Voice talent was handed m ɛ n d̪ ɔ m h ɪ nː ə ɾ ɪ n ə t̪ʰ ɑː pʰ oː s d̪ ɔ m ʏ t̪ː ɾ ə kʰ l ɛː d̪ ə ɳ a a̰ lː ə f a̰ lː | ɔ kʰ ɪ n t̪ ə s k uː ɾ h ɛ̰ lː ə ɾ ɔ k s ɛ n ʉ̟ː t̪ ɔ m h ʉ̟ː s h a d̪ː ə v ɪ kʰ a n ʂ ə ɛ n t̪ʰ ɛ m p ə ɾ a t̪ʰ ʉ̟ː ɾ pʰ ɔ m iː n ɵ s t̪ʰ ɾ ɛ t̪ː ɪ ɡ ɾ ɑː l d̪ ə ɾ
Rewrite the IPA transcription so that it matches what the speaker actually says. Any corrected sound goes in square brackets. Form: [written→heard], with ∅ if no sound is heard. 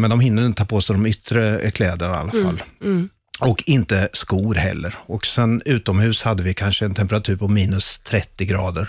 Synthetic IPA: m ɛ n d̪ ɔ m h ɪ nː ə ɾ ɪ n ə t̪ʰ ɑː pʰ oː s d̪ ɔ m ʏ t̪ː ɾ ə kʰ l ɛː d̪ ə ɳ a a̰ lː [ə→a] f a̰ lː | ɔ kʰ ɪ n t̪ ə s k uː ɾ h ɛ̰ lː ə ɾ ɔ k s ɛ n ʉ̟ː t̪ ɔ m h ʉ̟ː s h a d̪ː ə v ɪ kʰ a n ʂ ə ɛ n t̪ʰ ɛ m p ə ɾ a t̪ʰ ʉ̟ː ɾ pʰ ɔ m iː n ɵ s t̪ʰ ɾ ɛ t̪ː ɪ ɡ ɾ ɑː [l→∅] d̪ ə ɾ